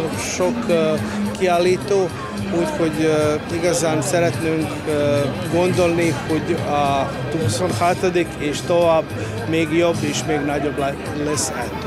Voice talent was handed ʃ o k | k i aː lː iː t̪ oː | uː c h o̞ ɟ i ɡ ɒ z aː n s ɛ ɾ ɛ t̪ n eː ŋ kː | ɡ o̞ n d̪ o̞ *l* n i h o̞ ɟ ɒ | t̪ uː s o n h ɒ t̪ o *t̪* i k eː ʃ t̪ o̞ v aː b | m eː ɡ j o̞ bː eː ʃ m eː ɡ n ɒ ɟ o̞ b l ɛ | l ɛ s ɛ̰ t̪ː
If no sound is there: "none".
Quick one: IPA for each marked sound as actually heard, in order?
l, d̪

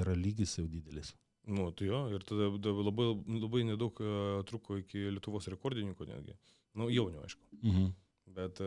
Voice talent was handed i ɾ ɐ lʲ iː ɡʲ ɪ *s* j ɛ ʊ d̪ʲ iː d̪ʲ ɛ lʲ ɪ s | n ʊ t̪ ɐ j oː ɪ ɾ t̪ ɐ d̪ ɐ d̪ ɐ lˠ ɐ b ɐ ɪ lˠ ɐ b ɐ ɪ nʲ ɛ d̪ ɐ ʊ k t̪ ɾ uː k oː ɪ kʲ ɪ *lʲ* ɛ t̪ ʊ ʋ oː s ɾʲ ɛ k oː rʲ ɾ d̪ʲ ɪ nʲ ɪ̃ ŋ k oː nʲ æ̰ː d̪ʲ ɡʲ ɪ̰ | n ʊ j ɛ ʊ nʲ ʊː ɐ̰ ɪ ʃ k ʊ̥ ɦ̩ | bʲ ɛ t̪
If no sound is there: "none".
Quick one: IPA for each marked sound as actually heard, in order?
s, lʲ

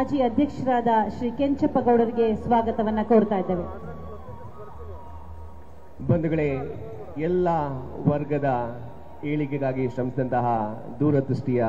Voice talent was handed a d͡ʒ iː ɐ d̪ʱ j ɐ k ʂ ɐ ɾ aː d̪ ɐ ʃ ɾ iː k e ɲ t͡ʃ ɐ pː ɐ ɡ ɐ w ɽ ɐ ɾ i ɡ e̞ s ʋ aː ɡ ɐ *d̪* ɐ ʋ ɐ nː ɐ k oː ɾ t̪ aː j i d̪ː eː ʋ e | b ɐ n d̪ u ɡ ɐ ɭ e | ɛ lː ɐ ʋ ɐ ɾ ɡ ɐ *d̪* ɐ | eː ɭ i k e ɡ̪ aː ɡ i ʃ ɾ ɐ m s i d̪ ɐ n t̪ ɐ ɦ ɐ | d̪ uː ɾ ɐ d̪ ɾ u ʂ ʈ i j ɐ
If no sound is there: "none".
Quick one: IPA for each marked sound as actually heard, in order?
t̪, d̪

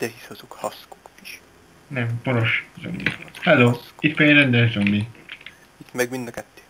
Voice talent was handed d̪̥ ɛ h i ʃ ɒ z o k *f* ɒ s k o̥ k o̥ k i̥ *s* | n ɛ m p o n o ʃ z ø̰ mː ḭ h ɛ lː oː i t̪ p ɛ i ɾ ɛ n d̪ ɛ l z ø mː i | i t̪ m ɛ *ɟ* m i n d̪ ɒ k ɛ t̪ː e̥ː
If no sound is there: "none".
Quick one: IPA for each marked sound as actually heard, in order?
h, ʃ, ɡ

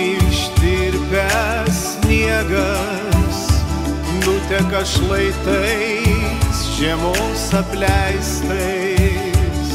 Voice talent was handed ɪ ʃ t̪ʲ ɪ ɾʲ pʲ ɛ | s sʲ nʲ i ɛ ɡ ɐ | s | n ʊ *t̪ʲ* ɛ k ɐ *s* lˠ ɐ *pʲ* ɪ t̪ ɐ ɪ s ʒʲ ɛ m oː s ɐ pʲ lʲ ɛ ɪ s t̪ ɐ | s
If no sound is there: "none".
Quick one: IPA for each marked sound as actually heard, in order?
t̪ʲ, ʃ, none

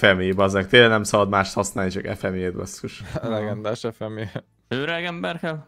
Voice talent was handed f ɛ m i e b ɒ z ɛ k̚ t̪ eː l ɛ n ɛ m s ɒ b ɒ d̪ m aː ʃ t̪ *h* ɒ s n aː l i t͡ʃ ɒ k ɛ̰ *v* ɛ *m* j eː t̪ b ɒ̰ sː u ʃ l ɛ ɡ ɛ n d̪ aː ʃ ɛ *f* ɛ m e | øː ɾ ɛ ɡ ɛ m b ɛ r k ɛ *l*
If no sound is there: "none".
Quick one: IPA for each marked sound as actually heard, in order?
h, f, m, f, l

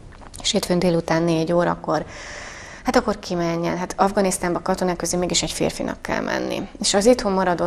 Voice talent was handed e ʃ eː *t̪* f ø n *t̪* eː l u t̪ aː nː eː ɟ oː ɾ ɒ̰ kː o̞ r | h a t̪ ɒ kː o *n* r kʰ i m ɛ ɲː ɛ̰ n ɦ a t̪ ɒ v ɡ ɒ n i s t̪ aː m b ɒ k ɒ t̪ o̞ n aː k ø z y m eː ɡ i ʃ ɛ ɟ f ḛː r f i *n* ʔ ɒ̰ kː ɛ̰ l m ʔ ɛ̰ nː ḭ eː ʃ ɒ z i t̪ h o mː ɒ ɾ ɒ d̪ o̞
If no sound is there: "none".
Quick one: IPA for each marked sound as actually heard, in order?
t̪, d̪, none, n

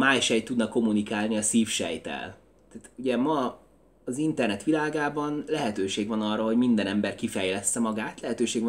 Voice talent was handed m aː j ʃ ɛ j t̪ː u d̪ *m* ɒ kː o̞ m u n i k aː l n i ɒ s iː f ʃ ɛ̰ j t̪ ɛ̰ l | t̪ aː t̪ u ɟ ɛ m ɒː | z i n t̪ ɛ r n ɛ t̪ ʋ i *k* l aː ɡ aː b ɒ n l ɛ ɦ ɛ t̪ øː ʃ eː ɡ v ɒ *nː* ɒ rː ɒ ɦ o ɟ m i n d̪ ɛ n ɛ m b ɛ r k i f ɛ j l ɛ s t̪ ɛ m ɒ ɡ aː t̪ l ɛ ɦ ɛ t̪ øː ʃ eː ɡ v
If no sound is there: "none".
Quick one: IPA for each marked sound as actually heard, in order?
n, none, n

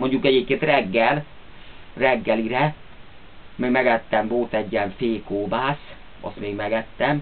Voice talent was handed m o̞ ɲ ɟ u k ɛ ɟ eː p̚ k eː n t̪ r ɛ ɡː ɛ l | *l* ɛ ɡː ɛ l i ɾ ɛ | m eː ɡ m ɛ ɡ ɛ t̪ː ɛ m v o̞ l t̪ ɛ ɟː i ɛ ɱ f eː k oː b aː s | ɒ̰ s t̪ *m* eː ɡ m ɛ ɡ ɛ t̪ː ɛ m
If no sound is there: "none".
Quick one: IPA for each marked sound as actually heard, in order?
r, m

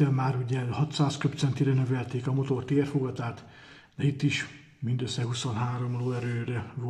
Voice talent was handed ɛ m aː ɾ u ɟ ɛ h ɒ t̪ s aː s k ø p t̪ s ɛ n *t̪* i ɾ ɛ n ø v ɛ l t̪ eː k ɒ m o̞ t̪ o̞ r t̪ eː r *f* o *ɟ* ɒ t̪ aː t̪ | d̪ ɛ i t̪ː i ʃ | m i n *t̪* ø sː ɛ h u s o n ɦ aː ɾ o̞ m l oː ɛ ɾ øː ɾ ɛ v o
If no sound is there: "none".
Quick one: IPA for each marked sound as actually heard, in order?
t̪, f, ɡ, d̪

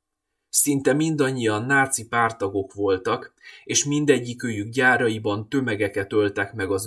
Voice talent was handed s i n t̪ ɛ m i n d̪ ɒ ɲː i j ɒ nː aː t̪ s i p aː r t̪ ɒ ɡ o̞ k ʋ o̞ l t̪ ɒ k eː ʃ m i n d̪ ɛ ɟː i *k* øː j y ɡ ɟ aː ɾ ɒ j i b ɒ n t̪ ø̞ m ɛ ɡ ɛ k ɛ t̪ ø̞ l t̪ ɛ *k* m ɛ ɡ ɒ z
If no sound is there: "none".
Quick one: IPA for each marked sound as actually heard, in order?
k, k

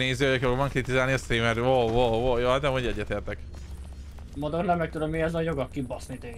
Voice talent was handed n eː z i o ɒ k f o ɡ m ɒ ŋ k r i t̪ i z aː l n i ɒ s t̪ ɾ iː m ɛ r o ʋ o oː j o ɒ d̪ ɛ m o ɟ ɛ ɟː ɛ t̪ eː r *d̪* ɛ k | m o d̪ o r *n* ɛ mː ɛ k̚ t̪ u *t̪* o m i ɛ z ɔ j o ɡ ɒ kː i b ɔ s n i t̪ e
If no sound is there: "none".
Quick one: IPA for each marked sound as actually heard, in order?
t̪, n, d̪

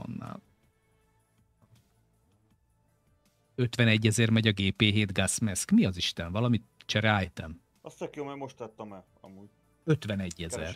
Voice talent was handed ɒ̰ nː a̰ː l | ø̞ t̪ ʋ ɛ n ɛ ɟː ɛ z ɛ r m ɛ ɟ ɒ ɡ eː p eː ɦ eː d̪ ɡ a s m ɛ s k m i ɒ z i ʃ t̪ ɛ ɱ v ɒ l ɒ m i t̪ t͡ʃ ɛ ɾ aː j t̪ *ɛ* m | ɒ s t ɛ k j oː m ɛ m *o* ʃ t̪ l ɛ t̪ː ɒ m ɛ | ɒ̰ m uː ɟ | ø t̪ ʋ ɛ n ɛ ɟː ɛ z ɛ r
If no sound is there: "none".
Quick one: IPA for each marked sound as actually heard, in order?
ɛ, o

